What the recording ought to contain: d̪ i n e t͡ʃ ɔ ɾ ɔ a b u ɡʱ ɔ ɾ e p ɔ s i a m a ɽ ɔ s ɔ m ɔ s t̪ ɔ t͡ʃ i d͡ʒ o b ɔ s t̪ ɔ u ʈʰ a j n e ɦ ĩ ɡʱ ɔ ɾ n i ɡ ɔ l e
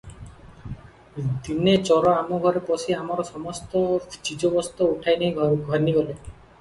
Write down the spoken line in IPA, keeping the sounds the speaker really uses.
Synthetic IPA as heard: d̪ i n e t͡ʃ ɔ ɾ ɔ a m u ɡʱ ɔ ɾ e p ɔ s i a m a ɾ ɔ s ɔ m ɔ s t̪ ɔ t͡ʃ i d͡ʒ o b ɔ s t̪ ɔ u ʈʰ a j n e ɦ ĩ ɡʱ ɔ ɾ n i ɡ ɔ l e